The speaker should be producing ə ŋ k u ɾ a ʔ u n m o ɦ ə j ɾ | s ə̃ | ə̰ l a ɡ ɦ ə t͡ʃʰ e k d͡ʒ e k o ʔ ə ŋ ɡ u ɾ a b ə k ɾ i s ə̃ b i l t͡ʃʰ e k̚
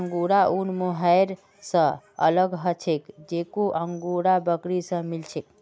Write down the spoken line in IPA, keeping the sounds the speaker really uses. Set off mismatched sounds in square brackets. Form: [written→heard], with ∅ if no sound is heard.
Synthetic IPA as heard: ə ŋ [k→ɡ] u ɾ a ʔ u n m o ɦ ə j ɾ | s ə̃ | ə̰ l [a→ə] ɡ ɦ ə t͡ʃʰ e k d͡ʒ e k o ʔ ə ŋ ɡ u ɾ a b ə k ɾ i s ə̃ [b→m] i l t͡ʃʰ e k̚